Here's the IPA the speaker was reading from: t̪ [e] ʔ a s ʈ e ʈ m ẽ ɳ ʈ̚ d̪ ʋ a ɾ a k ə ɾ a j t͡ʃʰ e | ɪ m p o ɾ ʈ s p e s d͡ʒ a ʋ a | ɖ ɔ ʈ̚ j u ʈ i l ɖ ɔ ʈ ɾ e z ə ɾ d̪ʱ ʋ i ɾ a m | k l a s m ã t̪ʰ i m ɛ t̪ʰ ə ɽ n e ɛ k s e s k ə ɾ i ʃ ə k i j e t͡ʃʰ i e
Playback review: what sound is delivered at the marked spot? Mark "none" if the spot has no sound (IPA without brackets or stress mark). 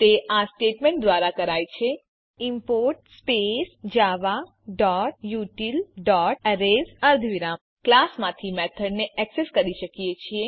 e